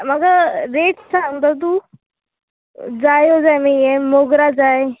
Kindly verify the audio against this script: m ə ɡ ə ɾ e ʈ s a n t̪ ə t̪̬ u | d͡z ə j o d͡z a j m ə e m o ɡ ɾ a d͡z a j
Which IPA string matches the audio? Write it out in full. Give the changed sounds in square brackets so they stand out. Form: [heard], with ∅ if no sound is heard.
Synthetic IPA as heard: m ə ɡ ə ɾ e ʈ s a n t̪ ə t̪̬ u | d͡z [a] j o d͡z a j m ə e m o ɡ ɾ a d͡z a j